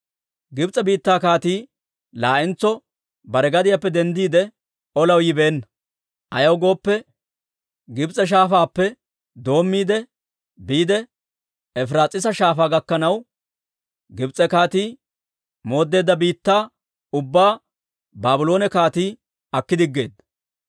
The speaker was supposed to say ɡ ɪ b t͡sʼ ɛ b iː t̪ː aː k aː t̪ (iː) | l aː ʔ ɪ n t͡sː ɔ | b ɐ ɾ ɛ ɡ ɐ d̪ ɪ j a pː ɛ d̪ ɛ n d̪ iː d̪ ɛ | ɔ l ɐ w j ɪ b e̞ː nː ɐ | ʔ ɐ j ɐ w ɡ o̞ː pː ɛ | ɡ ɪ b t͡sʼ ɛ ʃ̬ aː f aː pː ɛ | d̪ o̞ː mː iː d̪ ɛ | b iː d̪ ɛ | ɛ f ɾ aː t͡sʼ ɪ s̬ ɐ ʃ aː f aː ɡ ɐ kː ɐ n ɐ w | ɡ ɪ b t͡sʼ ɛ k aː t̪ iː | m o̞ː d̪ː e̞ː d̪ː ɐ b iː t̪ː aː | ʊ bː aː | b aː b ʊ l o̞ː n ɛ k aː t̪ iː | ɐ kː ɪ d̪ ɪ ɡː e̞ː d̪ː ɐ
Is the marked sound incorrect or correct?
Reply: correct